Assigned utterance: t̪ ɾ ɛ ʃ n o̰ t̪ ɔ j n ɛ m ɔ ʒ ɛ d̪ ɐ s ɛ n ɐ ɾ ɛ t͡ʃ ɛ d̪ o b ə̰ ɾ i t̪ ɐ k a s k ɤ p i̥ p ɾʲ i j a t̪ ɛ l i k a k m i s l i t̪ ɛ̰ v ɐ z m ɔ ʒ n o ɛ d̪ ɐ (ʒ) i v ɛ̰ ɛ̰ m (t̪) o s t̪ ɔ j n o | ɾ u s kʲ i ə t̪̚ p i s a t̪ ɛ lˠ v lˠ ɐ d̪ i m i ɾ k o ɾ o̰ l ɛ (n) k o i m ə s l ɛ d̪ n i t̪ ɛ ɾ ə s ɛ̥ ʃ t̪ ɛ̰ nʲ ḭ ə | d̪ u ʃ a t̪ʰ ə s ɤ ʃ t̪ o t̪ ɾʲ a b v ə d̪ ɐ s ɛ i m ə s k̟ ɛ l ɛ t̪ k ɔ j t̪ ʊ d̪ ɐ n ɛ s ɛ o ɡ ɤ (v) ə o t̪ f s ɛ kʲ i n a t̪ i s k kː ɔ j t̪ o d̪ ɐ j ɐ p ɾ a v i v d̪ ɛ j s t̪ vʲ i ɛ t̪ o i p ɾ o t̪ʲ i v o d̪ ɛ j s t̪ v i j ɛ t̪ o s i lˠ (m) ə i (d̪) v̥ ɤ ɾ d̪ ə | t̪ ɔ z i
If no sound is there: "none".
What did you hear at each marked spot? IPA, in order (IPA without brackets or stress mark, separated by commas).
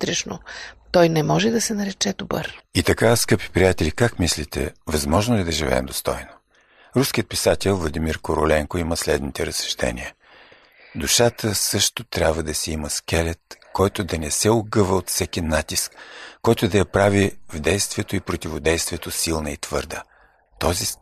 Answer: ʒ, d̪, ŋ, v, n, t̪